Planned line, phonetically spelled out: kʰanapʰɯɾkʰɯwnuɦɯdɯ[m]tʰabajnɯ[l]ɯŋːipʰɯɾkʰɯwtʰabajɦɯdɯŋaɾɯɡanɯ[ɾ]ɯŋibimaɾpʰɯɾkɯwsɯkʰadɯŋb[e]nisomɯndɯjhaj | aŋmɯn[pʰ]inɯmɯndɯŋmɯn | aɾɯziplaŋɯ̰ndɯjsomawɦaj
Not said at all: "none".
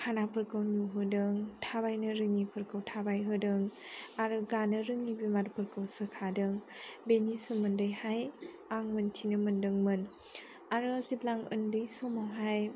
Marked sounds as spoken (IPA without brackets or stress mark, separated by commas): ŋ, ɾ, ɾ, e, tʰ